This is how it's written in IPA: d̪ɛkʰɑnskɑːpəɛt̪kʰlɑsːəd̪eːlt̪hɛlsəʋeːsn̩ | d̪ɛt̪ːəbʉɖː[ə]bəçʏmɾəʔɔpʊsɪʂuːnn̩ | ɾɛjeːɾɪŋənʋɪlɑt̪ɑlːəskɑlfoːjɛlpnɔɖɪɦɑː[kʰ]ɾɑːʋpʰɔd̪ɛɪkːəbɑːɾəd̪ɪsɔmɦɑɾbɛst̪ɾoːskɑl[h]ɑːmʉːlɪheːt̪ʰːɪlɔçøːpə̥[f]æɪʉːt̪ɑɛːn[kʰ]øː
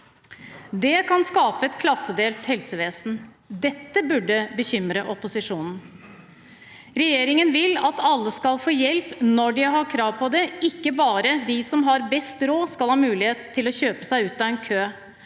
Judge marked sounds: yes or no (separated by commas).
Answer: yes, yes, yes, no, yes